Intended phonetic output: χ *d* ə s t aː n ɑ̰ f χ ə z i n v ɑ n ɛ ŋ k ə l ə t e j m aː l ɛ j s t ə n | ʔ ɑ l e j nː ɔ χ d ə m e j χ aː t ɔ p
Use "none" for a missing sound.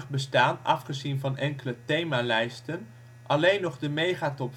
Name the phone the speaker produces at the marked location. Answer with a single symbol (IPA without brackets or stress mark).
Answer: b